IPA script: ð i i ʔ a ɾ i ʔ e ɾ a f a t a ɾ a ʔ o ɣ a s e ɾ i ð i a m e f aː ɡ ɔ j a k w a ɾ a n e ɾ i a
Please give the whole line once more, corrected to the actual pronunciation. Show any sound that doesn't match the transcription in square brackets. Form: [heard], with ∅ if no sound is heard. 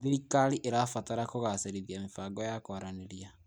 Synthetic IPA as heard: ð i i [k] a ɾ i ʔ e ɾ a f a t a ɾ a [k] o ɣ a s e ɾ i ð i a m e f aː ɡ ɔ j a k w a ɾ a n e ɾ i a